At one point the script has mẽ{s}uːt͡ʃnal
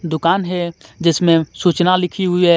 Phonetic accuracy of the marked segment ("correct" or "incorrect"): correct